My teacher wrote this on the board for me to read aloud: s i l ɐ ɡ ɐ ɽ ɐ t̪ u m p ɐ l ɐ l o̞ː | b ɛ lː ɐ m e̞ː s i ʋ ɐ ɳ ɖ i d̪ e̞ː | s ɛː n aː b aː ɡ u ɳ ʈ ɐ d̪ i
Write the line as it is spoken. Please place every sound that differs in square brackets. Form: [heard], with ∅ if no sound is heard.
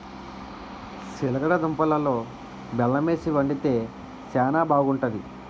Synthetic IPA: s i l ɐ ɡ ɐ ɽ ɐ [d̪] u m p ɐ l ɐ l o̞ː | b ɛ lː ɐ m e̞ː s i ʋ ɐ ɳ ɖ i [t̪] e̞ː | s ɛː n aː b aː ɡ u ɳ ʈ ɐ d̪ i